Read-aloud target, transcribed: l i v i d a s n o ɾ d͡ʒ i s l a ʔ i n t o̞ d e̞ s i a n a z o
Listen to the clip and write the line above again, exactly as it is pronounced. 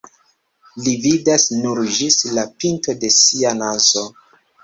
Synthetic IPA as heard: l i v i d a s n u ɾ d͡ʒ i s l a p i n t o̞ d e̞ s i a n a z o

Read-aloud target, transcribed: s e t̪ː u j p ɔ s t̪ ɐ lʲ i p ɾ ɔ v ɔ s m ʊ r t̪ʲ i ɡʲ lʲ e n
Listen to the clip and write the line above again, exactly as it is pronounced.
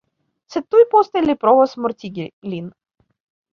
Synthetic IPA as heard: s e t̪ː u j p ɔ s t̪ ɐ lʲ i p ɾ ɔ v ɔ s m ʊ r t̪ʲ i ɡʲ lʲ i n

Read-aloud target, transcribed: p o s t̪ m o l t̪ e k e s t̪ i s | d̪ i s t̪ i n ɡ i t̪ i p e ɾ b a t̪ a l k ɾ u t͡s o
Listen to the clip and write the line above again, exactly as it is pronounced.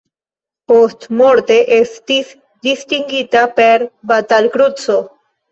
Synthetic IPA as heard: p o s t̪ m o ɾ t̪ e ʔ e s t̪ i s | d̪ i s t̪ i ŋ ɡ i t̪ a p e ɾ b a t̪ a l k ɾ u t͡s o

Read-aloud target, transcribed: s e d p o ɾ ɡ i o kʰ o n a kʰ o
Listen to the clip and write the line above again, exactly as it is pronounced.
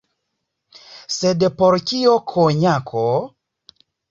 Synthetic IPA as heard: s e d p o ɾ k i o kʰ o ɲ a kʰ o

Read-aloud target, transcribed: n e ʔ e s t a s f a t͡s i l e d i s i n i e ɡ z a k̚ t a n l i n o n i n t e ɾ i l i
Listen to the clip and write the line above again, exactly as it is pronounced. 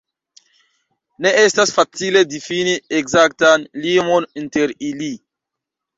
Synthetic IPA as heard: n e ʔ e s t a s f a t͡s i l e d i f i n i e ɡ z a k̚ t a n l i m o n i n t e ɾ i l i

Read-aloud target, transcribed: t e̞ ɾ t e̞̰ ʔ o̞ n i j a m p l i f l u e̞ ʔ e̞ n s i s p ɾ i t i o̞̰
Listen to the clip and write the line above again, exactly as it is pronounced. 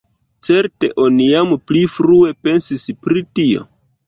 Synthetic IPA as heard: t͡s e̞ ɾ t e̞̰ ʔ o̞ n i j a m p l i f ɾ u e̞ p e̞ n s i s p ɾ i t i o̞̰

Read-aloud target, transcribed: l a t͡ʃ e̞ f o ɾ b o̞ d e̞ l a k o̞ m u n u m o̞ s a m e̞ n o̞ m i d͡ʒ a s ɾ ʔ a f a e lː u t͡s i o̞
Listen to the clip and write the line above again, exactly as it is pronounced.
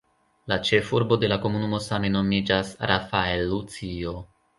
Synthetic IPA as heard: l a t͡ʃ e̞ f u ɾ b o̞ d e̞ l a k o̞ m u n u m o̞ s a m e̞ n o̞ m i d͡ʒ a s ɾ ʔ a f a e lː u t͡s i o̞

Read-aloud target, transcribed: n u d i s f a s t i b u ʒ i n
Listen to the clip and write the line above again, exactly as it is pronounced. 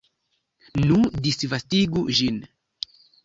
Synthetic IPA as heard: n u d i s v a s t i ɡ u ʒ i n

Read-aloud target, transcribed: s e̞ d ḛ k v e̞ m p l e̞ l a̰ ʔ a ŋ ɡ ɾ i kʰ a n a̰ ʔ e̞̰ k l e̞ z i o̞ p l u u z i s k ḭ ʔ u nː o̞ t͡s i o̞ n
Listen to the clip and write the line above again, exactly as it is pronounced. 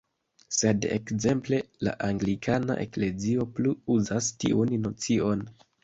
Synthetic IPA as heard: s e̞ d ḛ k z e̞ m p l e̞ l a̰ ʔ a ŋ ɡ l i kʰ a n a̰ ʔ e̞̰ k l e̞ z i o̞ p l u u z a s t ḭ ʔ u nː o̞ t͡s i o̞ n

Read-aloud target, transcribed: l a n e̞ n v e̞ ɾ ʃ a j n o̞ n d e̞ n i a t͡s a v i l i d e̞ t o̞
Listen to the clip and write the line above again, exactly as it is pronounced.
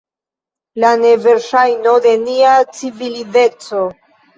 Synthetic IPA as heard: l a n e̞ v e̞ ɾ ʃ a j n o̞ d e̞ n i a t͡s i v i l i d e̞ t͡s o̞

